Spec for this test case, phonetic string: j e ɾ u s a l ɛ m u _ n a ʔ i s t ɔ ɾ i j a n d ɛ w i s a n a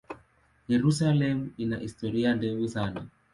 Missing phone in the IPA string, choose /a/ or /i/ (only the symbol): i